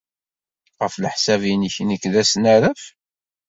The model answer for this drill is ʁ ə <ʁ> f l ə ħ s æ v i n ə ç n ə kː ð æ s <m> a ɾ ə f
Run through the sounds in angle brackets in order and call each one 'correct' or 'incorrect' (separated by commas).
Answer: incorrect, incorrect